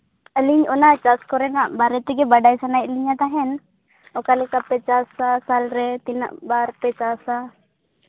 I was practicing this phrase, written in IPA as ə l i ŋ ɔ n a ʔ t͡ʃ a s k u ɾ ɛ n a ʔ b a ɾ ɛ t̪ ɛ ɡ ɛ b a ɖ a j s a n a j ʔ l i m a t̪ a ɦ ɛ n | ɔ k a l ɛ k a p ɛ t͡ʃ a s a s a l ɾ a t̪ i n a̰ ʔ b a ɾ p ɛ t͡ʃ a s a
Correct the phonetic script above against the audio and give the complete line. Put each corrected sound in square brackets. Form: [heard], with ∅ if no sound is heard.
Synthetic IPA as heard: ə l i [ɲ] ɔ n a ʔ t͡ʃ a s k [ɔ] ɾ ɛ n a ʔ b a ɾ ɛ t̪ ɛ ɡ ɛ b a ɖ a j s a n a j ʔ l i [ɲ] a t̪ a ɦ ɛ n | ɔ k a l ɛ k a p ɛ t͡ʃ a s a s a l ɾ [ɛ] t̪ i n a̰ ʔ b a ɾ p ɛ t͡ʃ a s a

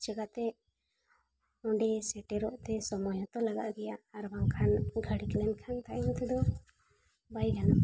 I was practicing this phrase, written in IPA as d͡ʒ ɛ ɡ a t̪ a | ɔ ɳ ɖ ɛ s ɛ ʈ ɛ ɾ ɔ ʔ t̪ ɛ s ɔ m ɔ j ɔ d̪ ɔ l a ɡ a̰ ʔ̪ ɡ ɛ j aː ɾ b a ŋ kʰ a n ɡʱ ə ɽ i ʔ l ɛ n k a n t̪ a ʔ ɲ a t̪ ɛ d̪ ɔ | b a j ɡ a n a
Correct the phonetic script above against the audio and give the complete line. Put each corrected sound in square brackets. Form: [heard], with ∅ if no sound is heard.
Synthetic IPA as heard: d͡ʒ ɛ ɡ a t̪ [ɛ] | ɔ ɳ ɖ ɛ s ɛ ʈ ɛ ɾ ɔ ʔ t̪ ɛ s ɔ m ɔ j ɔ [t̪] ɔ l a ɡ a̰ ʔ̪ ɡ ɛ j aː ɾ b a ŋ kʰ a n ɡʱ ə ɽ i [k] l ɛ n [kʰ] a n t̪ a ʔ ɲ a t̪ ɛ d̪ ɔ | b a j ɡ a n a

